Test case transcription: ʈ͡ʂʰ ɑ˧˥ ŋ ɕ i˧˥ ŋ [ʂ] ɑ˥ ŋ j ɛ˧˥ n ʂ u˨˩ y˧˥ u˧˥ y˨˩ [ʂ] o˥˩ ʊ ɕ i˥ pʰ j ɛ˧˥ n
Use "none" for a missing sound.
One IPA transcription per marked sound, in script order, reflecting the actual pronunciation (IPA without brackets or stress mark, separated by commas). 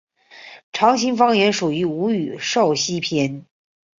f, ʂ